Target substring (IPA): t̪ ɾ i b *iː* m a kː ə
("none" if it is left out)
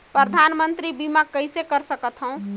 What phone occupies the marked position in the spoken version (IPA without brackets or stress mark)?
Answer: i